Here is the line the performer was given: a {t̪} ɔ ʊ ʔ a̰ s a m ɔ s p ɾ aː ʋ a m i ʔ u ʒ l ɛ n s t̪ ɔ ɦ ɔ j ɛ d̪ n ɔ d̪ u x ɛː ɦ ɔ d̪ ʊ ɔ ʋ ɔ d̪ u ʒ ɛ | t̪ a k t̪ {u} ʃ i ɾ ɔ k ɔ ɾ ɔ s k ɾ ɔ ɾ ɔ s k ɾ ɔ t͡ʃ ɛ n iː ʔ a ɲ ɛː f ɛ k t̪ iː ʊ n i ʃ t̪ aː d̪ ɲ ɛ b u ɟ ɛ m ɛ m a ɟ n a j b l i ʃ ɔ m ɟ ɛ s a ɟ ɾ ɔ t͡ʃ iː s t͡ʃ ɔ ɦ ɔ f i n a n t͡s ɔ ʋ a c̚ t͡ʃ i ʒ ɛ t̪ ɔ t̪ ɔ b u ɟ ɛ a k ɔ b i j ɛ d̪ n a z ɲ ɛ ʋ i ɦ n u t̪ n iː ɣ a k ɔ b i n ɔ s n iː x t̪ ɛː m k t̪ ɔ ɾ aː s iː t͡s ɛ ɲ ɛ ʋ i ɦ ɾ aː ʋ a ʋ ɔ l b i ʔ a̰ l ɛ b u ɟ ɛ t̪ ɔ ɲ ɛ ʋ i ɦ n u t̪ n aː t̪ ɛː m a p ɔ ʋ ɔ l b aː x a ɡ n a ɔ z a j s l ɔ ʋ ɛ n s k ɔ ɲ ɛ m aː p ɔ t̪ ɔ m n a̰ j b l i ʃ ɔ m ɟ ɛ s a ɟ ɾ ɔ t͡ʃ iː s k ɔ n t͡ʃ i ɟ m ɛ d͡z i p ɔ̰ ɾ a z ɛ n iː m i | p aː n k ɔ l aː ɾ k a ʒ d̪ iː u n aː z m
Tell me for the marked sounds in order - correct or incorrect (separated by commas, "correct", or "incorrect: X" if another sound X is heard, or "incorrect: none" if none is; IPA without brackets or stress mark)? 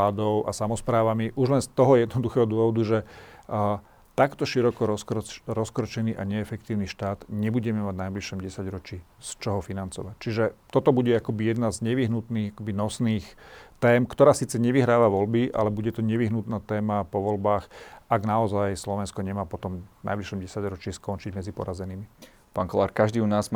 incorrect: d̪, incorrect: ɔ